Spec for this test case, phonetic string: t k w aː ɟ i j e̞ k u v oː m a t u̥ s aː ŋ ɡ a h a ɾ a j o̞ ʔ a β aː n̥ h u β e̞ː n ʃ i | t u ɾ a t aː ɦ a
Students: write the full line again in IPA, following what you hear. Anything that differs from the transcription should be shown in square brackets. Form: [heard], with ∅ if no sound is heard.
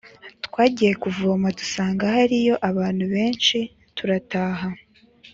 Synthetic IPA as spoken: t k w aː ɟ i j e̞ k u v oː m a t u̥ s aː ŋ ɡ a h a ɾ [i] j o̞ ʔ a β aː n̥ h u β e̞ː n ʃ i | t u ɾ a t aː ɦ a